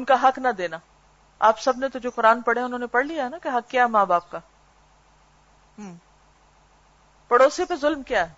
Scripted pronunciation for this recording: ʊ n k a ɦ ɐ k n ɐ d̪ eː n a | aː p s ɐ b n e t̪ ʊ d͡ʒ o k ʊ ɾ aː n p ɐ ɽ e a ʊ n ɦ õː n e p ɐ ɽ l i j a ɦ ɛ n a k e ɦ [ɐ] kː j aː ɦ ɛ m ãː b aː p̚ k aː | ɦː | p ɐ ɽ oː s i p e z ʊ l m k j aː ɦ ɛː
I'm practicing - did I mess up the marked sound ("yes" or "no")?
no